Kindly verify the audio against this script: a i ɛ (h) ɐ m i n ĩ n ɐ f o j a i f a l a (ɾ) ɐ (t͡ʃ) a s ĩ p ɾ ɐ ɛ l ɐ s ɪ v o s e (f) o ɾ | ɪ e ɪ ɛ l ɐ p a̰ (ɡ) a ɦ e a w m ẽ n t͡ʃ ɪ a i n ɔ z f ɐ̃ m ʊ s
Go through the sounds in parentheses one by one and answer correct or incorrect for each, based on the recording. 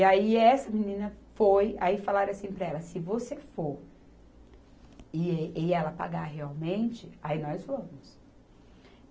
incorrect, correct, incorrect, correct, correct

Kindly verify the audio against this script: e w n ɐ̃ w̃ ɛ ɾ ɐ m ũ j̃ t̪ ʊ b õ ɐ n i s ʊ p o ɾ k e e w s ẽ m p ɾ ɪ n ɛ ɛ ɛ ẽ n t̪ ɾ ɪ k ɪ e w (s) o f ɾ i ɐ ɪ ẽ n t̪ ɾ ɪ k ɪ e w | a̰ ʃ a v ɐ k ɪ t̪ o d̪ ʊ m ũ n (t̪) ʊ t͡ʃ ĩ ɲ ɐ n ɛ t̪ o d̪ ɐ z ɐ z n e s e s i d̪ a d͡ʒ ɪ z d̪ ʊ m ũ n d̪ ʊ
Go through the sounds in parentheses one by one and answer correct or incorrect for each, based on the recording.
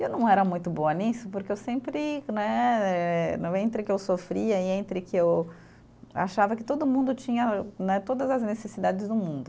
correct, incorrect

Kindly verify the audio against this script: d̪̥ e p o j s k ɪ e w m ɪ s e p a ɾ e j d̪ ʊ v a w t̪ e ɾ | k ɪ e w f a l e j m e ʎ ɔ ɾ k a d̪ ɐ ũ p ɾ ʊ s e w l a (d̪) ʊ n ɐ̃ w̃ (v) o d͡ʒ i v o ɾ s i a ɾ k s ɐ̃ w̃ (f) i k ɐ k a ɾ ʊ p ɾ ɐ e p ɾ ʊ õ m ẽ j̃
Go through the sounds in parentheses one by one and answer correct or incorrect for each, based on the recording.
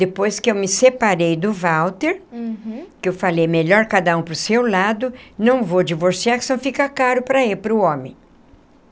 correct, correct, correct

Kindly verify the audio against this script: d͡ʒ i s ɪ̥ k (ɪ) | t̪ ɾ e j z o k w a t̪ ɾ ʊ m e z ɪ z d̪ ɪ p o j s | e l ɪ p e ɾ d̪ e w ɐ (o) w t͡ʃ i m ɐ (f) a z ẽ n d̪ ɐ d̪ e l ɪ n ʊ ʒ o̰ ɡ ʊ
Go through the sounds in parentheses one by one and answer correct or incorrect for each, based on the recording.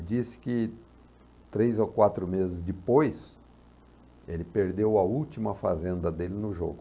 correct, incorrect, correct

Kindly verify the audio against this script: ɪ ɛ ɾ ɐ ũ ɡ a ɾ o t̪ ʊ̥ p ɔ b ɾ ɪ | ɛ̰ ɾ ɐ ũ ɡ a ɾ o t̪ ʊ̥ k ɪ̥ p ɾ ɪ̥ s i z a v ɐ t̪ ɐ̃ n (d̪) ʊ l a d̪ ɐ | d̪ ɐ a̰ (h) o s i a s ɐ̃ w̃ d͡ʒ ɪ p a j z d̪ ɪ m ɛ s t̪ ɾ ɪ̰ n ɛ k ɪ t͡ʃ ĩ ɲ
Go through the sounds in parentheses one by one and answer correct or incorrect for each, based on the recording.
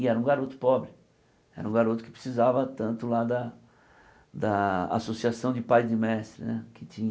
incorrect, incorrect

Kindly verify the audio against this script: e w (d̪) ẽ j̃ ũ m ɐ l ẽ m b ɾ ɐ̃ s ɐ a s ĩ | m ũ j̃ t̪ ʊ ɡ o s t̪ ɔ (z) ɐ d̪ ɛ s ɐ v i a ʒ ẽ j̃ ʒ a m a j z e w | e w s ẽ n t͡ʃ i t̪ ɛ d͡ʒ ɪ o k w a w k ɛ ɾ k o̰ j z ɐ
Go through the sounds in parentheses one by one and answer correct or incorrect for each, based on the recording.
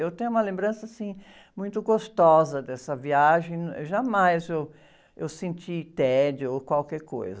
incorrect, correct

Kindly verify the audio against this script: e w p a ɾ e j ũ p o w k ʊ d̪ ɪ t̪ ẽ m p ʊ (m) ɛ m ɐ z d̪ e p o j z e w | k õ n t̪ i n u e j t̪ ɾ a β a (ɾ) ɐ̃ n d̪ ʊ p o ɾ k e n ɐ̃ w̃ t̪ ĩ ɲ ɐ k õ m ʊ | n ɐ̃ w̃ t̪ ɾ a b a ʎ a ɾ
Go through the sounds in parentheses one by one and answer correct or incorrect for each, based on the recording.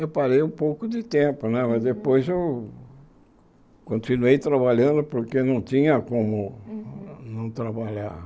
incorrect, incorrect

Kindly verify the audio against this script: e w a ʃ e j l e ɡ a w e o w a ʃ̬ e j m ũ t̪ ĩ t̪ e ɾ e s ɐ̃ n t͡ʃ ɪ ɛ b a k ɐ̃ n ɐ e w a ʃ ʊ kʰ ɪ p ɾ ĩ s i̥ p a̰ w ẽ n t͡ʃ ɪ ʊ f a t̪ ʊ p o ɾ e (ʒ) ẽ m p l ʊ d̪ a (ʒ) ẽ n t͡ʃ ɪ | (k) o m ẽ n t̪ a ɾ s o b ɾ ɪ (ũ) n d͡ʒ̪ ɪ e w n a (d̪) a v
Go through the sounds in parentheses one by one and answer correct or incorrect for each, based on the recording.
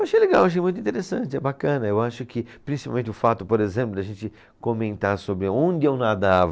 incorrect, correct, correct, incorrect, correct

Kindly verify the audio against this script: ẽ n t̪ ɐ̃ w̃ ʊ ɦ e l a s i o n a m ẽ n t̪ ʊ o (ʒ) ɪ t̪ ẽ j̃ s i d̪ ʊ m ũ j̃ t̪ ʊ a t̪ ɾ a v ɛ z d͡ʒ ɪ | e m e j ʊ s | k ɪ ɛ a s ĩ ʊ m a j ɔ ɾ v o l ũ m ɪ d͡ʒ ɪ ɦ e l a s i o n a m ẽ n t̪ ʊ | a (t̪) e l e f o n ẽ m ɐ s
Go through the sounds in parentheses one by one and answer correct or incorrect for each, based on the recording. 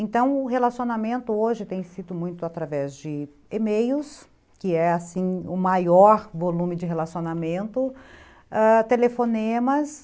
correct, correct

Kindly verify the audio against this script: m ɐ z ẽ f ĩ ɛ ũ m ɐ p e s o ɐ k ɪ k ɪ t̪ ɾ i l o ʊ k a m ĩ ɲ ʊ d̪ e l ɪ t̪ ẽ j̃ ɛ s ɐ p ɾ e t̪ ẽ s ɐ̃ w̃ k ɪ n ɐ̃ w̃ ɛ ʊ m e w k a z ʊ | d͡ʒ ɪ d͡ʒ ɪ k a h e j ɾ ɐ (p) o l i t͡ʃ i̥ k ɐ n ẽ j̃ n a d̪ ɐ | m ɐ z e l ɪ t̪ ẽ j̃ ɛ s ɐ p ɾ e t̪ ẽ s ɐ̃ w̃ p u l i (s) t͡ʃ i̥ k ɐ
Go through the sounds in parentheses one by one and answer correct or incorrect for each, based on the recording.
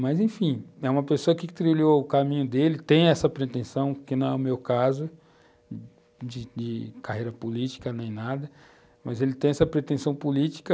correct, incorrect

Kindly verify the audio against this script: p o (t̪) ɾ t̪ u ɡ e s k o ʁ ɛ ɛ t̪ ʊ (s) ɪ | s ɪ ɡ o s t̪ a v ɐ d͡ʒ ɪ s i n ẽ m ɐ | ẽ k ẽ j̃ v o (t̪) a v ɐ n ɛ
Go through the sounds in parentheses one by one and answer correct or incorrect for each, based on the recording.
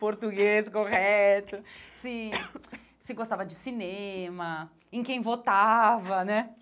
incorrect, correct, correct

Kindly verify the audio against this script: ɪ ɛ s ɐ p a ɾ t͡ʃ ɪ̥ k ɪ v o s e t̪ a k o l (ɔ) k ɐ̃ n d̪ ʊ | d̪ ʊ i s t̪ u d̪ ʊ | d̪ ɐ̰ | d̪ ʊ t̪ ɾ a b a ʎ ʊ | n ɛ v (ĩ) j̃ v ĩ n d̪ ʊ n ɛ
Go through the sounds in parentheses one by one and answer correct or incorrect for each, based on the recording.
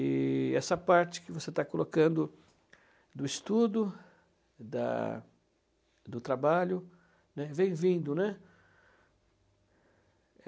incorrect, incorrect

